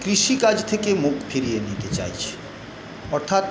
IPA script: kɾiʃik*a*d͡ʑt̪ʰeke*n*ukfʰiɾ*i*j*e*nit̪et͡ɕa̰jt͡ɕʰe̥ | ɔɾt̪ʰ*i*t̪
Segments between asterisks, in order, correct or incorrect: correct, incorrect: m, correct, correct, incorrect: a

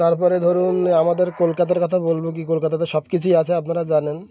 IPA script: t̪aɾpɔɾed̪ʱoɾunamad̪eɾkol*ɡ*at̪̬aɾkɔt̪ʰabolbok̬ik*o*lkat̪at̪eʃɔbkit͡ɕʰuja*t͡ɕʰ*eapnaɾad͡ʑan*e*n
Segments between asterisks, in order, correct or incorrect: incorrect: k, correct, correct, correct

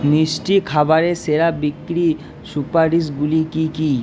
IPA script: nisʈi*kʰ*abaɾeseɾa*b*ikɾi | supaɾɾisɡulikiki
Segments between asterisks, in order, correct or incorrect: correct, correct

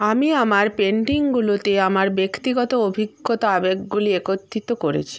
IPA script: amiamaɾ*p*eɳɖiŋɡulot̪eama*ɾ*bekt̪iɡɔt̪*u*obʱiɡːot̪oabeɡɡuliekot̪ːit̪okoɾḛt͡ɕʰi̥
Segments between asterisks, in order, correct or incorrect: correct, correct, incorrect: o

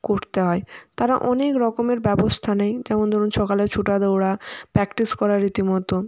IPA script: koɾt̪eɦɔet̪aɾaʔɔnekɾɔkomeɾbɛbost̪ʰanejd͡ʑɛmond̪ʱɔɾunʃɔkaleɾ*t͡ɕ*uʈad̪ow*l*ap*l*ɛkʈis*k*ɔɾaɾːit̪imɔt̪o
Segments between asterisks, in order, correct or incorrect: incorrect: t͡ɕʰ, incorrect: ɽ, incorrect: ɾ, correct

